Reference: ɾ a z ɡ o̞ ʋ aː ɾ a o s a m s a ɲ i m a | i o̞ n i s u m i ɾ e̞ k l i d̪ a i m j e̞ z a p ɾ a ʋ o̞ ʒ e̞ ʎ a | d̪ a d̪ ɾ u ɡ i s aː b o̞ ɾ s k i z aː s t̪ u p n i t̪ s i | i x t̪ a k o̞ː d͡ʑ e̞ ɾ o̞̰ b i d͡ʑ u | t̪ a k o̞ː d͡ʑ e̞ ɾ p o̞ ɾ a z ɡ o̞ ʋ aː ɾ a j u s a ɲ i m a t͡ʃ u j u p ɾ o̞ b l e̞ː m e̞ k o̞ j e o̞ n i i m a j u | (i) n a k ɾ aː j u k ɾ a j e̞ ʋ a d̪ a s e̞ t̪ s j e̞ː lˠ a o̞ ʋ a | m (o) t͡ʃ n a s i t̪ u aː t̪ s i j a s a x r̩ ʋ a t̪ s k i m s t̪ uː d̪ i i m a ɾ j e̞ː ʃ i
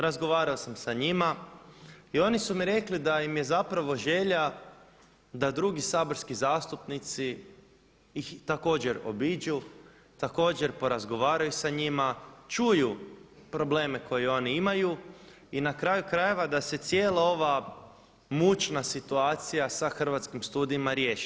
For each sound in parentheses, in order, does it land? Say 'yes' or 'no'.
yes, no

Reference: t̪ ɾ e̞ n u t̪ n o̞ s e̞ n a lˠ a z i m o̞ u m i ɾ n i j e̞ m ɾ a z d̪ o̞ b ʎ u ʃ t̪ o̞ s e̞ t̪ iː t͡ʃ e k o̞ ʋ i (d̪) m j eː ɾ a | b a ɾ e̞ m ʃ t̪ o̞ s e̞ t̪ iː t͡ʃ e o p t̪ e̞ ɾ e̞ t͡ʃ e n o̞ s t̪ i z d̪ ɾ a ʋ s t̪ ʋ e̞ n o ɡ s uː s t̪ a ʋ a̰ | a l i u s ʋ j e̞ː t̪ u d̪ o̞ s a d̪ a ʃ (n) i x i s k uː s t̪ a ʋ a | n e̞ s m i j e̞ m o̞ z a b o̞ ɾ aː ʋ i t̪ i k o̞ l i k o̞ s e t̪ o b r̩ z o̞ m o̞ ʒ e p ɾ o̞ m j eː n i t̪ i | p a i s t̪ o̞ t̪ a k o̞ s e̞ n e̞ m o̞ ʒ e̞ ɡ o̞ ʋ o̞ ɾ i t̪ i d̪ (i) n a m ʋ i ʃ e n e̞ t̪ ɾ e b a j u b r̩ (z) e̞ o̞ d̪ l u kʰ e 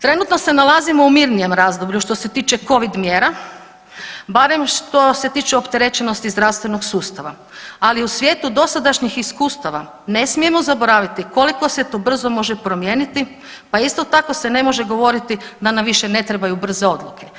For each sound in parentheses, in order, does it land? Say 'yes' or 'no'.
yes, no, no, yes

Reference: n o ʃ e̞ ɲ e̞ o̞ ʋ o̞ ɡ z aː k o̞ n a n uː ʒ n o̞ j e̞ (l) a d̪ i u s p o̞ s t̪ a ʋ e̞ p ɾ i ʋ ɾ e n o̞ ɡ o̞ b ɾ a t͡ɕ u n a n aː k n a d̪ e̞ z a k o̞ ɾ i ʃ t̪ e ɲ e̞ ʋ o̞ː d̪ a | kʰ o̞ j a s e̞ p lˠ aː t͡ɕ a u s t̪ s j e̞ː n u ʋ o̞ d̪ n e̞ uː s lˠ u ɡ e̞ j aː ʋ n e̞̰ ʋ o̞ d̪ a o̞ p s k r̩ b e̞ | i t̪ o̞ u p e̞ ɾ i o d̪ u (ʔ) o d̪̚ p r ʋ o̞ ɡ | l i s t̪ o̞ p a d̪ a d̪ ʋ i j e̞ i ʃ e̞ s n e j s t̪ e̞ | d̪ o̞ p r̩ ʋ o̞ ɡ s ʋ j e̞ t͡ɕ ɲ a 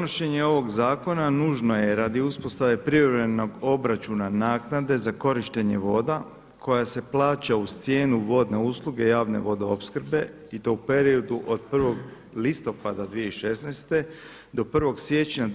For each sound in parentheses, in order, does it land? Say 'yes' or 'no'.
no, yes

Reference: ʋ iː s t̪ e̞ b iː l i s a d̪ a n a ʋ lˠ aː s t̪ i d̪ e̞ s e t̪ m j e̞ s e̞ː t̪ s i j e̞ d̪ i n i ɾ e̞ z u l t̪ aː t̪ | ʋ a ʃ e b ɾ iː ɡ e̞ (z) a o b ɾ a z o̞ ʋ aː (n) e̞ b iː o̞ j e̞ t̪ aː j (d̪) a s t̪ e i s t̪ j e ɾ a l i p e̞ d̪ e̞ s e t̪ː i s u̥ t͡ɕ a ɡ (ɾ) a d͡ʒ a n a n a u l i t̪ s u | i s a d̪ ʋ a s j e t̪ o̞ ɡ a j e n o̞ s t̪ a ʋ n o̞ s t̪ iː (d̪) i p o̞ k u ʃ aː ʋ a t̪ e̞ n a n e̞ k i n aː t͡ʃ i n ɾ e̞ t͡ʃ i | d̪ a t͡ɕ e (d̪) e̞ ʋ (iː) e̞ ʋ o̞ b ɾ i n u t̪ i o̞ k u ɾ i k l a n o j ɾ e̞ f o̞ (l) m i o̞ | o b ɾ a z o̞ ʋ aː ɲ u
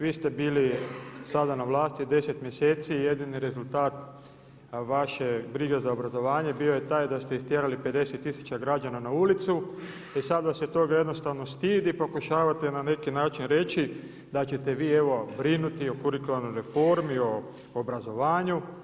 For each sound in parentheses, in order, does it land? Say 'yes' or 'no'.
yes, no, yes, yes, yes, no, yes, no

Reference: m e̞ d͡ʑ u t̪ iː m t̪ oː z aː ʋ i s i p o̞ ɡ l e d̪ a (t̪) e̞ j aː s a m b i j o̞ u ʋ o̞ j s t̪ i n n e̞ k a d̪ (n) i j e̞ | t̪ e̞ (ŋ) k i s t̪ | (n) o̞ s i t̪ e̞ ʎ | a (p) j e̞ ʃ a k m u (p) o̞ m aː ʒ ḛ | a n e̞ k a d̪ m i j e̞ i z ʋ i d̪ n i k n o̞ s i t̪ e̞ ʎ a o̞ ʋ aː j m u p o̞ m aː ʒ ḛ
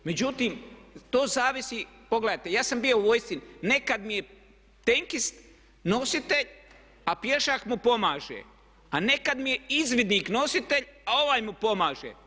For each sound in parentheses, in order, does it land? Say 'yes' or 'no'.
yes, no, yes, yes, yes, yes

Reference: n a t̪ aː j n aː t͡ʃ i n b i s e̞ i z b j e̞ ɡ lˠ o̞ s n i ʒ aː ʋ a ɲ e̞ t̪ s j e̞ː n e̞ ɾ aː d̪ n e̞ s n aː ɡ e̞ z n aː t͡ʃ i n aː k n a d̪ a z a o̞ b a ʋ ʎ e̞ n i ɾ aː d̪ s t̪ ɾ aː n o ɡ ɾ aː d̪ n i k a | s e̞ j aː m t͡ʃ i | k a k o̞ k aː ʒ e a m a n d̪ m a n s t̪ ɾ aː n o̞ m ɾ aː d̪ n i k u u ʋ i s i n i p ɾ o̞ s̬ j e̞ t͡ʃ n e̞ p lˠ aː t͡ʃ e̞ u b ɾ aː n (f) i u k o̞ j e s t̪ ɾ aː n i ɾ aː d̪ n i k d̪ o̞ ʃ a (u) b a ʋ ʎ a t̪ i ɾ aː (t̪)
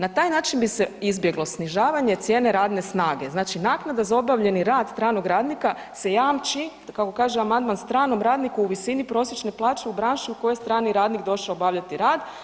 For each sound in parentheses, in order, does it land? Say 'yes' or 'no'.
no, no, no

